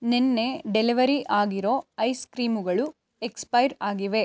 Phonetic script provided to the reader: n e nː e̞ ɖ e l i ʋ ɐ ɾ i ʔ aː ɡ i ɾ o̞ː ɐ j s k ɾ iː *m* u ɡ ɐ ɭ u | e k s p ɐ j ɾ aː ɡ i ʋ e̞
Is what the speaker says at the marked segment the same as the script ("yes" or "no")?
yes